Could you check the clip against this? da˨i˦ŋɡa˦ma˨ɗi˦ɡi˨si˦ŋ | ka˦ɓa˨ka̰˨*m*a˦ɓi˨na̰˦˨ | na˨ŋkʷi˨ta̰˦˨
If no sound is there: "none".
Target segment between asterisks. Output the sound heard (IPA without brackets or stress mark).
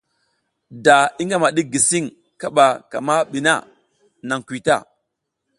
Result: m